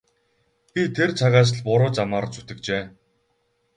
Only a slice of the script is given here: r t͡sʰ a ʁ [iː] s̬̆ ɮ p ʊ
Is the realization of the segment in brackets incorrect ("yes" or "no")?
yes